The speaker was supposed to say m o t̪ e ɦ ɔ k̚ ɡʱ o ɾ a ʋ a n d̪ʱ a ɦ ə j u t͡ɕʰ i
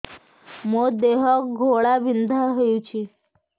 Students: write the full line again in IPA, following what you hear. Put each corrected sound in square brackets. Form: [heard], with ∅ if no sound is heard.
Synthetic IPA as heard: m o [d̪] e ɦ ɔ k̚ ɡʱ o [ɭ] a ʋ [i] n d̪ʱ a ɦ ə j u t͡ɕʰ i

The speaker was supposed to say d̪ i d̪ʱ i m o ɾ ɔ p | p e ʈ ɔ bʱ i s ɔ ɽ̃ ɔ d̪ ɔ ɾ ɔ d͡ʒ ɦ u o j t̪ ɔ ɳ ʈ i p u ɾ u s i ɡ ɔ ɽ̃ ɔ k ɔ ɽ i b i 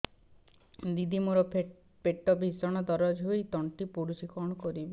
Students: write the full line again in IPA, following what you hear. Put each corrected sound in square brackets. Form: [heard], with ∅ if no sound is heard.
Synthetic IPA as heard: d̪ i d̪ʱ i m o ɾ ɔ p | p e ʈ ɔ bʱ i s ɔ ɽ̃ ɔ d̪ ɔ ɾ ɔ d͡ʒ ɦ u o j t̪ ɔ ɳ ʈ i p u ɾ u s i [k] ɔ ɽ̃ ɔ k ɔ [ɾ] i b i

